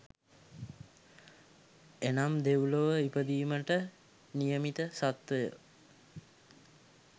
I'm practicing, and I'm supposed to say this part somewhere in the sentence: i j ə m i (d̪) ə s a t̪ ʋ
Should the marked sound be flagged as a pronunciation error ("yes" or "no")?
yes